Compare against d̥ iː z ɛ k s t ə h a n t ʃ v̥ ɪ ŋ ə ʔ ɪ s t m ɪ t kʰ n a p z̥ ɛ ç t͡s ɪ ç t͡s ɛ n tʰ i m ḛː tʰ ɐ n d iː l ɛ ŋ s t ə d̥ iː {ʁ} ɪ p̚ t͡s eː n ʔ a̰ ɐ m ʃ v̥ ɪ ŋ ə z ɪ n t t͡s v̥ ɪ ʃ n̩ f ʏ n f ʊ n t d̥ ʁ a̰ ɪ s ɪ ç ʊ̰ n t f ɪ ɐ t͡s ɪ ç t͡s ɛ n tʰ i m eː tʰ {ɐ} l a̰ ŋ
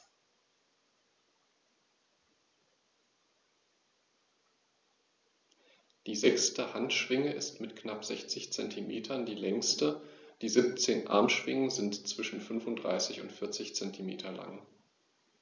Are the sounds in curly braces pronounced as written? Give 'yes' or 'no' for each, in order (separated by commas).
no, yes